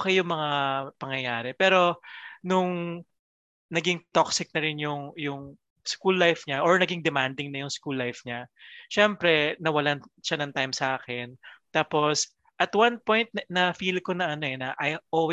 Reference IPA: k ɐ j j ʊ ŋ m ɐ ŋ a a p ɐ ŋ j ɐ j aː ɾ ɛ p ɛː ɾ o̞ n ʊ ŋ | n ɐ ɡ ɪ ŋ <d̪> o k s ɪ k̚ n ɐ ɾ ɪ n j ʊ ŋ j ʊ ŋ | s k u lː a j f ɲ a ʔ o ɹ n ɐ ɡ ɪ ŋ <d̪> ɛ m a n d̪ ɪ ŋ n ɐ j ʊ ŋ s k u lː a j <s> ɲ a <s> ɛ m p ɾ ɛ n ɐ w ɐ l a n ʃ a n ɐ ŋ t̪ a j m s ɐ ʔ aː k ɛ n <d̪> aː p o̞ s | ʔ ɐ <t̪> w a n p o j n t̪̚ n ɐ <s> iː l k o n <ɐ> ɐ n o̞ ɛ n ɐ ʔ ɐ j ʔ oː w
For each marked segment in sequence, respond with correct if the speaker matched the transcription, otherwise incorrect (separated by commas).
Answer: incorrect, correct, incorrect, incorrect, incorrect, correct, incorrect, correct